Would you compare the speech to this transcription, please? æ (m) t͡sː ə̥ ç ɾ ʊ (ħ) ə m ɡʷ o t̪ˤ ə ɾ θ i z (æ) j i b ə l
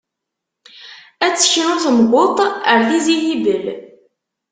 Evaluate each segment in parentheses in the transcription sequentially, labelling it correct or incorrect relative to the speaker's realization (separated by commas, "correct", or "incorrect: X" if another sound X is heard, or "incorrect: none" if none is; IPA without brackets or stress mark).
incorrect: none, incorrect: θ, incorrect: i